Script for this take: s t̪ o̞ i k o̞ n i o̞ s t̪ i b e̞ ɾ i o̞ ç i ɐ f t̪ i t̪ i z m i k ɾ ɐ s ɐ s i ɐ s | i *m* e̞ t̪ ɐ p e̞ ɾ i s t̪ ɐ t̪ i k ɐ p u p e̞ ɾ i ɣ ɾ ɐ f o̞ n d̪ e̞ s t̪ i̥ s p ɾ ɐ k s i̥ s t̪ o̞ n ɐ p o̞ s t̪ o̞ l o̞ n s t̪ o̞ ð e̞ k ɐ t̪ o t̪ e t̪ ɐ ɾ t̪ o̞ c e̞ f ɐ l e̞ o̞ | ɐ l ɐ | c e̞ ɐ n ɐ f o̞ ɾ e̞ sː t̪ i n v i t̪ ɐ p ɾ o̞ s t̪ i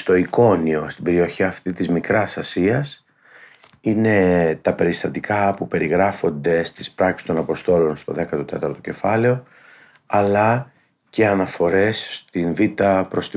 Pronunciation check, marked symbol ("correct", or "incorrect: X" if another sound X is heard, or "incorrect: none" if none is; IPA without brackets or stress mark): incorrect: n